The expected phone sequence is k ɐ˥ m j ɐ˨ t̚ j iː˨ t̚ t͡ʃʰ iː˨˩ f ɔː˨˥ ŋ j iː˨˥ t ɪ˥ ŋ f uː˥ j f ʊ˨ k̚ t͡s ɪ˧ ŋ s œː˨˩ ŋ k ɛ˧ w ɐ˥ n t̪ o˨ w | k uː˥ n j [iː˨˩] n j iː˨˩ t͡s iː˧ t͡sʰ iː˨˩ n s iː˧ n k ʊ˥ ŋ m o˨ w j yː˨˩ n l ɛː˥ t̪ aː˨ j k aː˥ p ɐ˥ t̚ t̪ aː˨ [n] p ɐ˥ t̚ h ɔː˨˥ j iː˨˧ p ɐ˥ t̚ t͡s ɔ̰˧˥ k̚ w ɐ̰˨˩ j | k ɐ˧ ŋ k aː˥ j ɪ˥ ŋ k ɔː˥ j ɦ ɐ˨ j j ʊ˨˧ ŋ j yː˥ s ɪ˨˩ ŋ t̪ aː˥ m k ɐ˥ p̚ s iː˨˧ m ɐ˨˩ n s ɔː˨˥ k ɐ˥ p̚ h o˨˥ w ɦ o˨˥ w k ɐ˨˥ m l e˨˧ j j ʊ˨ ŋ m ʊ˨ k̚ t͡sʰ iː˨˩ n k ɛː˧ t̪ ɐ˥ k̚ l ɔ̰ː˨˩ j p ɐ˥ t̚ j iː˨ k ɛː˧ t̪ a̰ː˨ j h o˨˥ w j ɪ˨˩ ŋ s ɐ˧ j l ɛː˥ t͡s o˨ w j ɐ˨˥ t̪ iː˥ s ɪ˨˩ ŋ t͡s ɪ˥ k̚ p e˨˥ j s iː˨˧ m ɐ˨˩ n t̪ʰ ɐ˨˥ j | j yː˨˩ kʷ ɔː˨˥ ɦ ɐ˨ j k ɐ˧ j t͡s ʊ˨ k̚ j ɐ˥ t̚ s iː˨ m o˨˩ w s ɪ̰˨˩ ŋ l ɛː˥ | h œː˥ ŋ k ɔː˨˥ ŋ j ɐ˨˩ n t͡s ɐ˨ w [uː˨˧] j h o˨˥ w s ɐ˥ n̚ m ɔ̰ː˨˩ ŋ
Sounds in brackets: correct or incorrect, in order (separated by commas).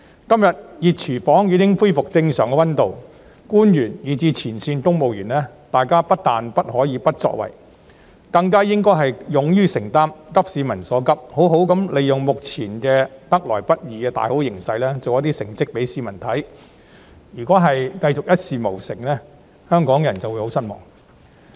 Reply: incorrect, correct, incorrect